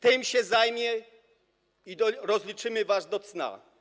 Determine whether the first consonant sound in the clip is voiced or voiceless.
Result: voiceless